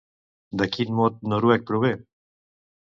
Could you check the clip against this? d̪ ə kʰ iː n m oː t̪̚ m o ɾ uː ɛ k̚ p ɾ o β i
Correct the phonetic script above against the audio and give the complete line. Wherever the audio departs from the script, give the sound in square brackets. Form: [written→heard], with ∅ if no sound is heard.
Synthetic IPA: d̪ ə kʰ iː n m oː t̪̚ [m→n] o ɾ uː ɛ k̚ p ɾ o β [i→e]